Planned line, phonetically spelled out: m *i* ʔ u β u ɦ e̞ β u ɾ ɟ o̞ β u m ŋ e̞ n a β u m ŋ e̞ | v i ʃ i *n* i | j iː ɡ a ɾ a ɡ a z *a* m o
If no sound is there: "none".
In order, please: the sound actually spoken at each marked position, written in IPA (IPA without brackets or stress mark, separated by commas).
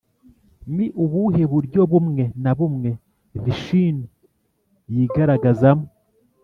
i, n, a